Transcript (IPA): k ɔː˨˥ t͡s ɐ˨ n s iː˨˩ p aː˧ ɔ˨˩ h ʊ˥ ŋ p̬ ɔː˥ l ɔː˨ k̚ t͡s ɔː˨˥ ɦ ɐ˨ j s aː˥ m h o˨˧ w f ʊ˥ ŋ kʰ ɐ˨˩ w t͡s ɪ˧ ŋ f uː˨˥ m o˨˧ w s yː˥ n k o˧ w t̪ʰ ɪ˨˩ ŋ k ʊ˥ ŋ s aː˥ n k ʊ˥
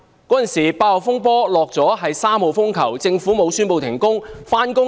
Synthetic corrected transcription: k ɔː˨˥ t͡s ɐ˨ n s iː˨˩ p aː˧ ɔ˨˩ f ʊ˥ ŋ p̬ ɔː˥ l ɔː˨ k̚ t͡s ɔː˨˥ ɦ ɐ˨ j s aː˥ m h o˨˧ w f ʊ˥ ŋ kʰ ɐ˨˩ w t͡s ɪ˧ ŋ f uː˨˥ m o˨˧ w s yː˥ n p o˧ w t̪ʰ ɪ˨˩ ŋ k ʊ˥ ŋ f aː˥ n k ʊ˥

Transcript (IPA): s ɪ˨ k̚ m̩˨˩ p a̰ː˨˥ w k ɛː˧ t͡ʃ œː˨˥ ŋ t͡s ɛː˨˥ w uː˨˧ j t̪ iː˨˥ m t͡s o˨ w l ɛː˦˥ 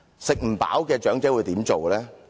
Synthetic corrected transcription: s ɪ˨ k̚ m̩˨˩ p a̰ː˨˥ w k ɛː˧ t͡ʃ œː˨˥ ŋ t͡s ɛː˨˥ w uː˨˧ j t̪ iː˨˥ m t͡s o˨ w l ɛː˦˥

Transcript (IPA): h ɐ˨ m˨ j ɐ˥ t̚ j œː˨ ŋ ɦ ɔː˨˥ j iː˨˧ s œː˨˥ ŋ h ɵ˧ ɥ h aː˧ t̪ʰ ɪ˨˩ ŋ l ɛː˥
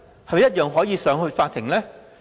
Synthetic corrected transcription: h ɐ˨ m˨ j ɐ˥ t̚ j œː˨ ŋ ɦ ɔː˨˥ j iː˨˧ s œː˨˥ ŋ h ɵ˧ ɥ f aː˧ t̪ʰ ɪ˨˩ ŋ l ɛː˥

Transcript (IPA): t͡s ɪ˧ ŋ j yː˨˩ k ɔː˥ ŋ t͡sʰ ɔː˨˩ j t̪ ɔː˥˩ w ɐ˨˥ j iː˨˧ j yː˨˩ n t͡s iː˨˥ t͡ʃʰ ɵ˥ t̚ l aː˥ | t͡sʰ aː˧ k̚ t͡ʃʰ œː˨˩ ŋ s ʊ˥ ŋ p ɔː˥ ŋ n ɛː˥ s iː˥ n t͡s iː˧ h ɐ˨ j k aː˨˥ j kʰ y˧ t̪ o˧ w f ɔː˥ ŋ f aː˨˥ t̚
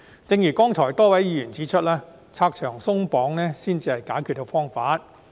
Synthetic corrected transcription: t͡s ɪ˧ ŋ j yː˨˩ k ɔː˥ ŋ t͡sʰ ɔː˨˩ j t̪ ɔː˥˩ w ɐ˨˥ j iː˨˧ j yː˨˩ n t͡s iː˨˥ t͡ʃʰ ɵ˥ t̚ l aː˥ | t͡sʰ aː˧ k̚ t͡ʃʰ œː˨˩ ŋ s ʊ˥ ŋ p ɔː˨˥ ŋ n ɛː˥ s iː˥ n t͡s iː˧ h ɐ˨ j k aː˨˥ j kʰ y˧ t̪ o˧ w f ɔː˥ ŋ f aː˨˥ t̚

